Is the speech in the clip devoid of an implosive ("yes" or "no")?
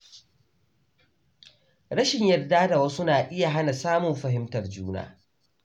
yes